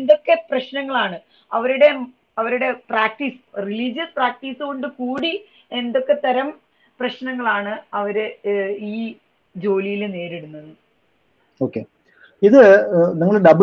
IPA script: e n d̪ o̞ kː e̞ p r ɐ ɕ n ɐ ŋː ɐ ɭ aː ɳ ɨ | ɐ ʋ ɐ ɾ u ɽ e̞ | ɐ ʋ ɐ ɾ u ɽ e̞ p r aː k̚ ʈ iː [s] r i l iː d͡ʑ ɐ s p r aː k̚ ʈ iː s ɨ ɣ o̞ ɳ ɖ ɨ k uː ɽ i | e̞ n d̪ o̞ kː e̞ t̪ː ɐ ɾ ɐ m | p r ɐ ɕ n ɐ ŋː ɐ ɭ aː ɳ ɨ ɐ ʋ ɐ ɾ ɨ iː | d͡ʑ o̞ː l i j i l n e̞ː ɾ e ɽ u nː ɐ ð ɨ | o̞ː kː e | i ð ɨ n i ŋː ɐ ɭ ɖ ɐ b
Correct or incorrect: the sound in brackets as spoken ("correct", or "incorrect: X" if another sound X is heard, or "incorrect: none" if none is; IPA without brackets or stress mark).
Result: correct